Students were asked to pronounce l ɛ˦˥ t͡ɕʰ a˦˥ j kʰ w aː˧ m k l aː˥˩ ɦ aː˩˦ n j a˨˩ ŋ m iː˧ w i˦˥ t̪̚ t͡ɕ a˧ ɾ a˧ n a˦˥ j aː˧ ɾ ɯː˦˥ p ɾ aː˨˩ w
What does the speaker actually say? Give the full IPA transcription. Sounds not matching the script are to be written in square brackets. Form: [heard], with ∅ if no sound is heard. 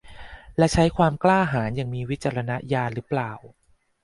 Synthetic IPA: l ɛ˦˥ t͡ɕʰ a˦˥ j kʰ w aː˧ m k l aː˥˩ ɦ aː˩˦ n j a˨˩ ŋ m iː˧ w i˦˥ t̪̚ t͡ɕ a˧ ɾ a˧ n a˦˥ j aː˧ ɾ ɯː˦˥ p [l] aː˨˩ w

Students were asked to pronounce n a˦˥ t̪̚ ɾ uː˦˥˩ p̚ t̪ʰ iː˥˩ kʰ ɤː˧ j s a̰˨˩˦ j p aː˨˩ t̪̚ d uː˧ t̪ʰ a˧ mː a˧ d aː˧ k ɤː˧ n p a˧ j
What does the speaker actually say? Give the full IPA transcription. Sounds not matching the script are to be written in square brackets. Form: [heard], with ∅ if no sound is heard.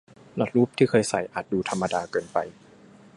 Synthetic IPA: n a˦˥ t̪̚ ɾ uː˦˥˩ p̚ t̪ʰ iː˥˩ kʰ ɤː˧ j s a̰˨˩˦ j [ʔ] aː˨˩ t̪̚ d uː˧ t̪ʰ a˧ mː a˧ d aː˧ k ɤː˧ n p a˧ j

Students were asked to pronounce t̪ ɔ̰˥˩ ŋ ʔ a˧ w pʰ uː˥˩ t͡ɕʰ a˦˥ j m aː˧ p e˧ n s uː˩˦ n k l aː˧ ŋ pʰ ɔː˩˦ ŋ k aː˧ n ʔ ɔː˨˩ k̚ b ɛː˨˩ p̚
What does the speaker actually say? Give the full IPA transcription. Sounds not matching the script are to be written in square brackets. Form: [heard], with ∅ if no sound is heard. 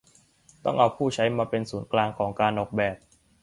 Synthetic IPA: t̪ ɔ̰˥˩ ŋ ʔ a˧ w pʰ uː˥˩ t͡ɕʰ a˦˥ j m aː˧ p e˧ n s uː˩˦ n k l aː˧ ŋ [kʰ] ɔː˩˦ ŋ k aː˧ n ʔ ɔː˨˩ k̚ b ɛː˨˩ p̚

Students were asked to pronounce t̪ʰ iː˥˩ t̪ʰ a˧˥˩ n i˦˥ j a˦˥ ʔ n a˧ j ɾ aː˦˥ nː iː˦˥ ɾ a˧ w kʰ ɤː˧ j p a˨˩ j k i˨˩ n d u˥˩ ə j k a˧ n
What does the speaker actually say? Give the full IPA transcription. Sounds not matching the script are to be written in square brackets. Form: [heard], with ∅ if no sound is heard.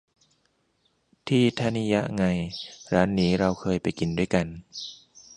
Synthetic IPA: t̪ʰ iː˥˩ t̪ʰ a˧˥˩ n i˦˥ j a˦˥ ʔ [ŋ] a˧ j ɾ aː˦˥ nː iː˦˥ ɾ a˧ w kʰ ɤː˧ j p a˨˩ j k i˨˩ n d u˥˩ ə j k a˧ n

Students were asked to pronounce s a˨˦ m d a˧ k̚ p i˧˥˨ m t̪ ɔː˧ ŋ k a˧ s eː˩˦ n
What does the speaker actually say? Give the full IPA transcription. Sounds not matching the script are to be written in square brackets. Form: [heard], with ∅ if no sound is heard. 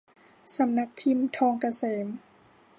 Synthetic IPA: s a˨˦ m [n] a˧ k̚ [pʰ] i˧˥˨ m [t̪ʰ] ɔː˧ ŋ k a˧ s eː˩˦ [m]

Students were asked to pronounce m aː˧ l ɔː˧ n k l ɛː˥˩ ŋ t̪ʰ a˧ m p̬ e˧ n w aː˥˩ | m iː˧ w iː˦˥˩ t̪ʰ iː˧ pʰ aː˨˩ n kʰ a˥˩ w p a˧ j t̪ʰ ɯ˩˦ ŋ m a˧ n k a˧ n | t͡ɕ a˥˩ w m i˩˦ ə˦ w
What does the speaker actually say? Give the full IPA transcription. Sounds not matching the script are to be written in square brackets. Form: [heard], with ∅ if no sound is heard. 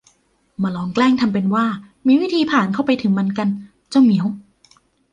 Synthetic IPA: m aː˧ l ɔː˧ [ŋ] k l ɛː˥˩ ŋ t̪ʰ a˧ m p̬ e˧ n w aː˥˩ | m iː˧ w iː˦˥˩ t̪ʰ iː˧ pʰ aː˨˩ n kʰ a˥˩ w p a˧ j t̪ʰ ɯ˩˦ ŋ m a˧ n k a˧ n | t͡ɕ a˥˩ w m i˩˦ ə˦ w

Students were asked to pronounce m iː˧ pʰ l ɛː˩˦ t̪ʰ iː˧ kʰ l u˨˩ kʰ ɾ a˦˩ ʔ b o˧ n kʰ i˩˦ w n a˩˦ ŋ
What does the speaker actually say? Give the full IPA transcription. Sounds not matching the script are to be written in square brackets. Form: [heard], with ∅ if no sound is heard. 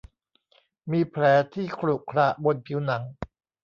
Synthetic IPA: m iː˧ pʰ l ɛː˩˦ t̪ʰ [iː˥˩] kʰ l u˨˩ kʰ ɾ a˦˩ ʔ b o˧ n [pʰ] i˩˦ w n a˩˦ ŋ

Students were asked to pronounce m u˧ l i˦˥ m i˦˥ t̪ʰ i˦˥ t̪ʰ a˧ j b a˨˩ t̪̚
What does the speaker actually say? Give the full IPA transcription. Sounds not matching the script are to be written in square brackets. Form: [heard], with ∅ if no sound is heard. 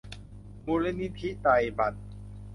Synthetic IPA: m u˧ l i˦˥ [n] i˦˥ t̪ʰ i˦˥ [t̪] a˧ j b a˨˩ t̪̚

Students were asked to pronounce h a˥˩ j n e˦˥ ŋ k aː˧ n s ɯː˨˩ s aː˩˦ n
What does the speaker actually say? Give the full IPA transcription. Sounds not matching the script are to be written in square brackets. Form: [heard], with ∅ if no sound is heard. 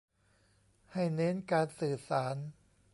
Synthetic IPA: h a˥˩ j n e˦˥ [n] k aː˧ n s ɯː˨˩ s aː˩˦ n

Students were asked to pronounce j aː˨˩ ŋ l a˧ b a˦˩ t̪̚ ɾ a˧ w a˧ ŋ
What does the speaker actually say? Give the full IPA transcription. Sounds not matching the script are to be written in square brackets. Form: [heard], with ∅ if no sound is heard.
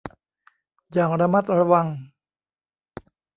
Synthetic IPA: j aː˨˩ ŋ [ɾ] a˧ [m] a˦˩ t̪̚ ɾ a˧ w a˧ ŋ

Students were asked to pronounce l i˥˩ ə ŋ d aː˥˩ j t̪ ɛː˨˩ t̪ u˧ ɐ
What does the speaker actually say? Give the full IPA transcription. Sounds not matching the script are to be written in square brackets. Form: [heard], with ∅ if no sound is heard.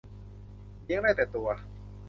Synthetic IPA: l [i˧] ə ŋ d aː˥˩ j t̪ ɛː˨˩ t̪ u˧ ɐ

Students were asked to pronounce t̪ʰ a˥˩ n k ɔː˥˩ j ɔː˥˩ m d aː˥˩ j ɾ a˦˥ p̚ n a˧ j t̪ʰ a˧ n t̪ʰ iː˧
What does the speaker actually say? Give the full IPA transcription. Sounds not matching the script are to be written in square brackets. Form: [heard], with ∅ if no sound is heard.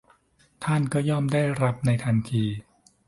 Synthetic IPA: t̪ʰ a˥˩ n k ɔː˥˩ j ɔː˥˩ m d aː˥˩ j ɾ a˦˥ p̚ n a˧ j t̪ʰ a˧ n t̪ʰ iː˧

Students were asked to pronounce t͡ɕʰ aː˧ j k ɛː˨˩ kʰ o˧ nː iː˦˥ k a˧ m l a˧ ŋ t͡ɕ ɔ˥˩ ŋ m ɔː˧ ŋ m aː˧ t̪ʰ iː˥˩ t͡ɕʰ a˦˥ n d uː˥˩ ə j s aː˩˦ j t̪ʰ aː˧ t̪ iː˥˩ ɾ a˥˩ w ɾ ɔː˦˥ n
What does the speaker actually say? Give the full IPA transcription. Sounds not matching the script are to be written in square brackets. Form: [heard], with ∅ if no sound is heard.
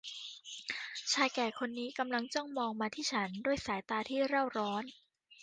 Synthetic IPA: t͡ɕʰ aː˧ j k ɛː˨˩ kʰ o˧ nː iː˦˥ k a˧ m l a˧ ŋ t͡ɕ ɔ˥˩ ŋ m ɔː˧ ŋ m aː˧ t̪ʰ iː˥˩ t͡ɕʰ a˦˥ n d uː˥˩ ə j s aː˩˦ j [t̪] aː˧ [t̪ʰ] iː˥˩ ɾ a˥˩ w ɾ ɔː˦˥ n

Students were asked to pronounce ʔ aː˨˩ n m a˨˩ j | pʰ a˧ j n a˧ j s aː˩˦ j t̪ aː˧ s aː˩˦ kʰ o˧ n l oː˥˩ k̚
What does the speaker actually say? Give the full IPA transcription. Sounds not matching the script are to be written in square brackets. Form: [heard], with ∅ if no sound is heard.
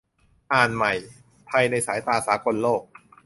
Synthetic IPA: ʔ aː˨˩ n m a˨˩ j | pʰ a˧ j n a˧ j s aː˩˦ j t̪ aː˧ s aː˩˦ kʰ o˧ n l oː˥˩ k̚

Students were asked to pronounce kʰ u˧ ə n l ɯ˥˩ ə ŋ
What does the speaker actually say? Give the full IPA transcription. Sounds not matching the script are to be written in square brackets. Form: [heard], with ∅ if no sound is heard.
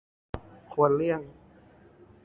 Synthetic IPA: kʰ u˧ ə n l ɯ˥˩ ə ŋ

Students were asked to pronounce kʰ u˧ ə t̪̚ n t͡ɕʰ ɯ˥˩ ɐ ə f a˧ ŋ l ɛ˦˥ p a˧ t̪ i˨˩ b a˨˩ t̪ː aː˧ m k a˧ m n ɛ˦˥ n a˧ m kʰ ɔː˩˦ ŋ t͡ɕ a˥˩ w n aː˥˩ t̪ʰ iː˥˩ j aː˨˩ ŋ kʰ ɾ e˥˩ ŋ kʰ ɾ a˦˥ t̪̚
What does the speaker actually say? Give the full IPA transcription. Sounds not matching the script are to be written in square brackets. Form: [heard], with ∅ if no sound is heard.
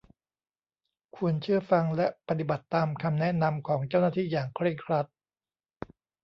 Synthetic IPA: kʰ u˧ ə [∅] n t͡ɕʰ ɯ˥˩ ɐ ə f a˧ ŋ l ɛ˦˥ p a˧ t̪ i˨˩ b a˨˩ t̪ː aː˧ m [kʰ] a˧ m n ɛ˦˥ n a˧ m kʰ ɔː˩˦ ŋ t͡ɕ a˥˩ w n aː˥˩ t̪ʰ iː˥˩ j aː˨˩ ŋ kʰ ɾ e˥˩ ŋ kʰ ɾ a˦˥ t̪̚

